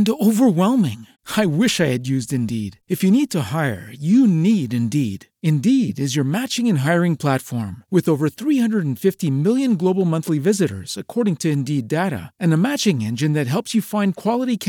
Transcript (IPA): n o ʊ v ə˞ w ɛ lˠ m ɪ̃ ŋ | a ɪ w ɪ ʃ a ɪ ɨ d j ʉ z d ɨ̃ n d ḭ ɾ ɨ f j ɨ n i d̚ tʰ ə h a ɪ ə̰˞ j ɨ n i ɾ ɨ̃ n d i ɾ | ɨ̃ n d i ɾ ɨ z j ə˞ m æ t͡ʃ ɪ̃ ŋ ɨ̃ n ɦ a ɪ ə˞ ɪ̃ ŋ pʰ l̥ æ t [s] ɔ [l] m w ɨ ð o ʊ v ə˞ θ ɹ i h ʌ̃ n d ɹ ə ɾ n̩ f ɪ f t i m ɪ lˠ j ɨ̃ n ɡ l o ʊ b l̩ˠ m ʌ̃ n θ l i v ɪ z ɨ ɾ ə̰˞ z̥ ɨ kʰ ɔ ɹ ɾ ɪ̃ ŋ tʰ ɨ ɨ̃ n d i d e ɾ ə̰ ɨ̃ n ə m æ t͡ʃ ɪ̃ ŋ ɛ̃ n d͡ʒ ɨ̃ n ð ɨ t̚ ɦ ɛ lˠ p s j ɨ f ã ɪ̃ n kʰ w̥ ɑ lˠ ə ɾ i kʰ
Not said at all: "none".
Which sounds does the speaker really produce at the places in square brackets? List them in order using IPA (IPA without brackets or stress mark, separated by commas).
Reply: f, ɹ